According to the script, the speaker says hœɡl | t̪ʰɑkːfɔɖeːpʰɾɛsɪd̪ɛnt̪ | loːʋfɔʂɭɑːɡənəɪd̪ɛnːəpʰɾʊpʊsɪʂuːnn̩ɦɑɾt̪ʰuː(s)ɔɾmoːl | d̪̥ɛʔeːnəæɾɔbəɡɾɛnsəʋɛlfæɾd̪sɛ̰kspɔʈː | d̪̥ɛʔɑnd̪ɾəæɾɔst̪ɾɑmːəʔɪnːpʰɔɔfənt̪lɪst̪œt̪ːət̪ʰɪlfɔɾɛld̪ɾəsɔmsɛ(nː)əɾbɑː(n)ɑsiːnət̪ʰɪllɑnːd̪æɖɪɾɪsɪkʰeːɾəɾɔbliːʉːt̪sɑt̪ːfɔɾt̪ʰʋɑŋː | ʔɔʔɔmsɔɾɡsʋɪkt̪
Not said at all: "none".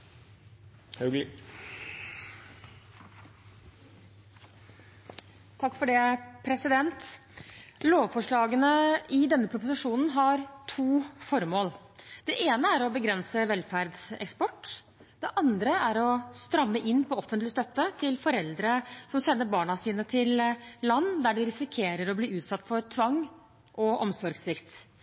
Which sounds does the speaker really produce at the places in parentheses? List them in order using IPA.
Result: f, nː, ɳ

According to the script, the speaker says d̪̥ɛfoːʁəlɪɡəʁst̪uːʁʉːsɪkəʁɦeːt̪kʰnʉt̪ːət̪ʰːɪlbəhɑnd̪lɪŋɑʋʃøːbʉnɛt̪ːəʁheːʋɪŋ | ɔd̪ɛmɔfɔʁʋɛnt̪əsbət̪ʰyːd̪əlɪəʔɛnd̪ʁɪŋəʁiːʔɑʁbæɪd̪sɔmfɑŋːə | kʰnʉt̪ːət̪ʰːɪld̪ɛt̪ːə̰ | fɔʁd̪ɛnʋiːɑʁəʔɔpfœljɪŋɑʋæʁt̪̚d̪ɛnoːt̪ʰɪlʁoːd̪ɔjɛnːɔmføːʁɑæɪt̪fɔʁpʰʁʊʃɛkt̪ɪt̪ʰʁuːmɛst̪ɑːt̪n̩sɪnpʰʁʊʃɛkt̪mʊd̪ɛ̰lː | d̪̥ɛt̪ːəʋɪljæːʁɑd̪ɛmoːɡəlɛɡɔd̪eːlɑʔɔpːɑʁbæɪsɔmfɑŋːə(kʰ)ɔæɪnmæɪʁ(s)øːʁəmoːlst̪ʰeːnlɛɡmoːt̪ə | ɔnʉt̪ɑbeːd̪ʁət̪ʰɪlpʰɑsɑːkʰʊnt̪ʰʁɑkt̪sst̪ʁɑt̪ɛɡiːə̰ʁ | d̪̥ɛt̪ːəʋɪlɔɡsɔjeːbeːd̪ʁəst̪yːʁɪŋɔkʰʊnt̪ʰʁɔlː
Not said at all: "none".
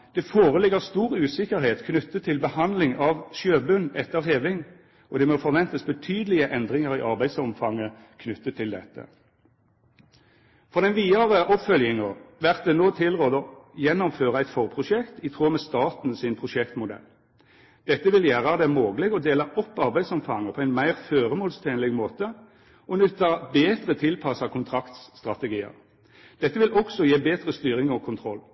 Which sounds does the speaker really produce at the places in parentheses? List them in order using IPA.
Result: pʰ, f

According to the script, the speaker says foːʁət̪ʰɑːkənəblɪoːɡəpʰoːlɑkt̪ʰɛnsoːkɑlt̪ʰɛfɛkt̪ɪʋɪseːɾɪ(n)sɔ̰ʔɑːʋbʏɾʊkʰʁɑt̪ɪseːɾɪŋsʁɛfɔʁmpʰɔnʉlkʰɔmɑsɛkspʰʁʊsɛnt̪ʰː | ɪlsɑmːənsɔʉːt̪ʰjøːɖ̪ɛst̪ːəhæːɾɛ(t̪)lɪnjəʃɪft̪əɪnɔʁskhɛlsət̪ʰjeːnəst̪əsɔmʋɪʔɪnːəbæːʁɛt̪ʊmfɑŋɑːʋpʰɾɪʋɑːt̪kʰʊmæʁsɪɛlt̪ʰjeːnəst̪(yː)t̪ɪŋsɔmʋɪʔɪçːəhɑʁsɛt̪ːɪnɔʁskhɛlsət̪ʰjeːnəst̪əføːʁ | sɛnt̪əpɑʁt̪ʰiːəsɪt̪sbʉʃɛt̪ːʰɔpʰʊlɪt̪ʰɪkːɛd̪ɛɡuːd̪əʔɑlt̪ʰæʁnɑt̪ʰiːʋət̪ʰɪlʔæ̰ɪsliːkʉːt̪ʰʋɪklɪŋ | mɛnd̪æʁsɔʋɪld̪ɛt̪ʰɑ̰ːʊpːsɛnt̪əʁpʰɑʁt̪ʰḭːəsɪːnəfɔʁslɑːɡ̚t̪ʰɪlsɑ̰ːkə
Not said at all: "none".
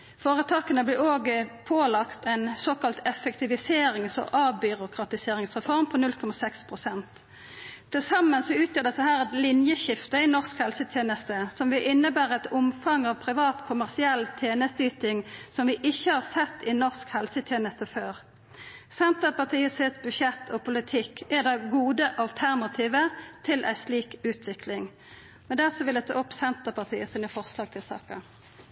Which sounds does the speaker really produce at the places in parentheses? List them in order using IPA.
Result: ŋ, t̪, yː

